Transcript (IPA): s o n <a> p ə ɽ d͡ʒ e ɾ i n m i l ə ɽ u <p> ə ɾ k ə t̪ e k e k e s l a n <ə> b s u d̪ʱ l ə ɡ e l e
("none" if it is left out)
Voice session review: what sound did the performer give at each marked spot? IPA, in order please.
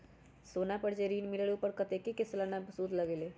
a, p, a

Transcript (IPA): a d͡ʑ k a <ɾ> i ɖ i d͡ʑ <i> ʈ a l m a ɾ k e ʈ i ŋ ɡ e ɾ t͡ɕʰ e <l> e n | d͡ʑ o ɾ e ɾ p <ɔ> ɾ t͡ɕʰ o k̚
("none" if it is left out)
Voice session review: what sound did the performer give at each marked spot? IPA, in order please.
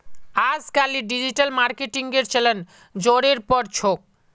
l, i, l, ɔ

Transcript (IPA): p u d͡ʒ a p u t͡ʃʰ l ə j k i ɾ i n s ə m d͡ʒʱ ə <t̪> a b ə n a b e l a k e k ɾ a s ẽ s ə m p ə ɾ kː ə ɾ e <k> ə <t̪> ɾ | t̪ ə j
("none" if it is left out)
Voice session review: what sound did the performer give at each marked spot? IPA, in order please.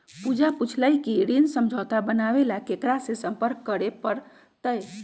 t̪, p, none

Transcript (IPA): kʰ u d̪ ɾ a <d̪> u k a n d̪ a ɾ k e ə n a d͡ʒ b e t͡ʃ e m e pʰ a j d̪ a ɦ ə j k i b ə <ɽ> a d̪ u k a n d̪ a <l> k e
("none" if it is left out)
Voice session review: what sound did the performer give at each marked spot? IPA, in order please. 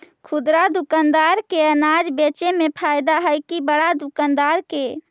d̪, ɽ, ɾ

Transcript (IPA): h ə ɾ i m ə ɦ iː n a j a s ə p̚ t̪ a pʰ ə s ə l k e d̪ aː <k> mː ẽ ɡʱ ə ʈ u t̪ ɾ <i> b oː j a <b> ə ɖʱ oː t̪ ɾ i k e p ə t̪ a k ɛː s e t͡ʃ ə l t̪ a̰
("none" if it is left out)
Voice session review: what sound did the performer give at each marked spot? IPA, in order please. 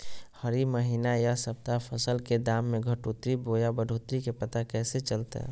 none, i, b

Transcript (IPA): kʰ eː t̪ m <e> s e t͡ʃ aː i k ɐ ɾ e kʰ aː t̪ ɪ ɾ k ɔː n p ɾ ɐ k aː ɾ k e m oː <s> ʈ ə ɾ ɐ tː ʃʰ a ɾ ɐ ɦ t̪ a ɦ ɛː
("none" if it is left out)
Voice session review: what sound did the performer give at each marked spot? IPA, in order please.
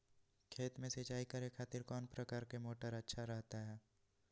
ẽ, none

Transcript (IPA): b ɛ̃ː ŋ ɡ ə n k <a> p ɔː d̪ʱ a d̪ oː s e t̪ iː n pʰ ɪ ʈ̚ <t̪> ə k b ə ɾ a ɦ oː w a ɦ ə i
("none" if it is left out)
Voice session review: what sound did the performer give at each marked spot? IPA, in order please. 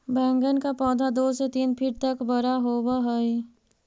a, t̪

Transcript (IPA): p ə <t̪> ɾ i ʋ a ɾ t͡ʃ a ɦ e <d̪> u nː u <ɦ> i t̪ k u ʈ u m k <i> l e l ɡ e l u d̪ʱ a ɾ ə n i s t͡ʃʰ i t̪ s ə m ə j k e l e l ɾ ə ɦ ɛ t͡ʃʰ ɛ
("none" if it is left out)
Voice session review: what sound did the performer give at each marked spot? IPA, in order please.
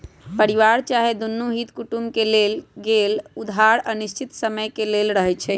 none, d̪, ɦ, e

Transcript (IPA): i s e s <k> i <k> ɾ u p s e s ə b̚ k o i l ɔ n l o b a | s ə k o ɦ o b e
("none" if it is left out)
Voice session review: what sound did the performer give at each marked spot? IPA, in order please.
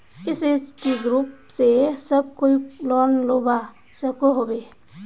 k, ɡ

